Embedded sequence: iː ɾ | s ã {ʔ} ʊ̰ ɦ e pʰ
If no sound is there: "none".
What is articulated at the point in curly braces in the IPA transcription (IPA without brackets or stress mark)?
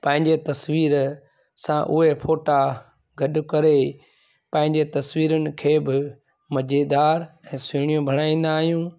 ʔ